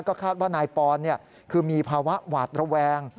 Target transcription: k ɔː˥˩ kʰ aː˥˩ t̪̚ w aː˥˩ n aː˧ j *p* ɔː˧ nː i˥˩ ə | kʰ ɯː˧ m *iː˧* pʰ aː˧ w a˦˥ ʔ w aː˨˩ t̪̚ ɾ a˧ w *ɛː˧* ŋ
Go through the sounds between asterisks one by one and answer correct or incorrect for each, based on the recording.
correct, correct, correct

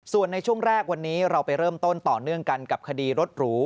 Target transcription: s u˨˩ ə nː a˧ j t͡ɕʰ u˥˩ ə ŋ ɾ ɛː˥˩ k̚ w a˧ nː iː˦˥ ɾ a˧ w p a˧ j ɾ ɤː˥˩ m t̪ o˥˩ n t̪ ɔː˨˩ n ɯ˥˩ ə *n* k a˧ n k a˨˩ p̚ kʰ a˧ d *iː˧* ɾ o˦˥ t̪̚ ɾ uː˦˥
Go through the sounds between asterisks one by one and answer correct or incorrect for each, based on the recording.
incorrect: ŋ, correct

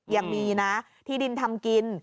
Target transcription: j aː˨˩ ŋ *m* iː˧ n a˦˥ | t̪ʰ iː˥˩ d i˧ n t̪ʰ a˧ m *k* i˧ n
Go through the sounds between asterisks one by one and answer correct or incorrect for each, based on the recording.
correct, correct

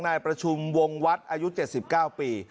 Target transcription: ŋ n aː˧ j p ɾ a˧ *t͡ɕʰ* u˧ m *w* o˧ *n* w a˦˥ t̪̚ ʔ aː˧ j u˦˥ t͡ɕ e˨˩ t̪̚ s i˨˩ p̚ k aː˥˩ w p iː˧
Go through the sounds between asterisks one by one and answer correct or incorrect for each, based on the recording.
correct, correct, incorrect: ŋ

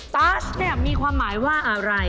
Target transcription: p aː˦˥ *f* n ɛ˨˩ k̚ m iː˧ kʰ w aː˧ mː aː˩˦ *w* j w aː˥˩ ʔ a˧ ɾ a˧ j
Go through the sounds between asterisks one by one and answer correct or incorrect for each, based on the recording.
incorrect: s, incorrect: none

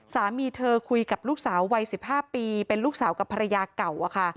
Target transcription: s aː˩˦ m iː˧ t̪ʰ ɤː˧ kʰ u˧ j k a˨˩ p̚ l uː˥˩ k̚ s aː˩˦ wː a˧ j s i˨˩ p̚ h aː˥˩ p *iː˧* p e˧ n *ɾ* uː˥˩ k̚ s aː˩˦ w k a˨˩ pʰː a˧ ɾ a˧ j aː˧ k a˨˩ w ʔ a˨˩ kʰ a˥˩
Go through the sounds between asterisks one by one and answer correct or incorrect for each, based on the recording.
correct, incorrect: l

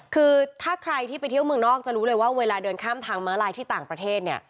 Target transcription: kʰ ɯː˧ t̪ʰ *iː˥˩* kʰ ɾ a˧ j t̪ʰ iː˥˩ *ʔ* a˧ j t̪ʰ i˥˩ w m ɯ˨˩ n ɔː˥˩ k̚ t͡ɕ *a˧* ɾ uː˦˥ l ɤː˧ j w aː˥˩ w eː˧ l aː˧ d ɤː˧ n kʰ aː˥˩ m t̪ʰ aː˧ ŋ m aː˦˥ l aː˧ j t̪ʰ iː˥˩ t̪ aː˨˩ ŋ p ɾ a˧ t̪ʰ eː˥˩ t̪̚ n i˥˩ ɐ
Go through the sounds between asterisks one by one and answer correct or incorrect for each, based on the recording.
incorrect: aː˥˩, incorrect: p, incorrect: a˨˩

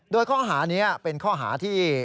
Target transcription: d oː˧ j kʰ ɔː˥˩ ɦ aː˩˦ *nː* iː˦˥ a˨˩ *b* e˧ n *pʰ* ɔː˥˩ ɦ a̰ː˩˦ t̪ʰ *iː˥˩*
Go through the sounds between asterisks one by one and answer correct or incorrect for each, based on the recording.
incorrect: n, incorrect: p, incorrect: kʰ, correct

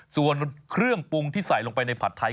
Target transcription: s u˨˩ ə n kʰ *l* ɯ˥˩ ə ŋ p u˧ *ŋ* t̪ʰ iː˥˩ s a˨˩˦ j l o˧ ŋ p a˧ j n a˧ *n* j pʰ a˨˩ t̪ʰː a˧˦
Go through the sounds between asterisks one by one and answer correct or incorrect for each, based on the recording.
incorrect: ɾ, correct, incorrect: none

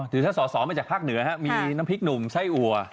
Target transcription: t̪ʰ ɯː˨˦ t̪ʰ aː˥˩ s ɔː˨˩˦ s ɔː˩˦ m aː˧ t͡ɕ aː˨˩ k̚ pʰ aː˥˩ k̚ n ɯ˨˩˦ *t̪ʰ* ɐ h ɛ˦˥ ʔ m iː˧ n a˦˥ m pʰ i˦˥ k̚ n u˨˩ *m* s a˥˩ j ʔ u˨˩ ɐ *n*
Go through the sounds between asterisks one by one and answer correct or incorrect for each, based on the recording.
incorrect: none, correct, incorrect: none

